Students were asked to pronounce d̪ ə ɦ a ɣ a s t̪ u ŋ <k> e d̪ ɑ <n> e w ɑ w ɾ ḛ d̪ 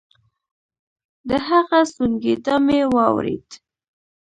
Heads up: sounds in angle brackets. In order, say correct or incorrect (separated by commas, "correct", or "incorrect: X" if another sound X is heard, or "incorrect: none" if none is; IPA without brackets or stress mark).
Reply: incorrect: ɡ, incorrect: m